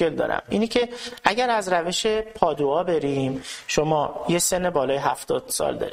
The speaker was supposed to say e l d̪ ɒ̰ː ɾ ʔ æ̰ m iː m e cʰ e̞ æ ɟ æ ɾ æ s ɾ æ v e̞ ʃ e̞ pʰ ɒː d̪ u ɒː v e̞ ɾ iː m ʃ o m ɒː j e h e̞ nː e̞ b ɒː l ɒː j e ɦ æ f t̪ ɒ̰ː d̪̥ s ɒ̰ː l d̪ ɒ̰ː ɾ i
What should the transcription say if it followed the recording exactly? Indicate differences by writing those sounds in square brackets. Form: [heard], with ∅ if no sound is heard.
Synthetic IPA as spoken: e l d̪ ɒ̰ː ɾ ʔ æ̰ m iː [n] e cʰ e̞ æ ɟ æ ɾ æ [z] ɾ æ v e̞ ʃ e̞ pʰ ɒː d̪ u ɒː [b] e̞ ɾ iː m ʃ o m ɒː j e [s] e̞ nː e̞ b ɒː l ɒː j e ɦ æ f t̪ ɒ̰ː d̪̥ s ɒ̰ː l d̪ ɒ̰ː ɾ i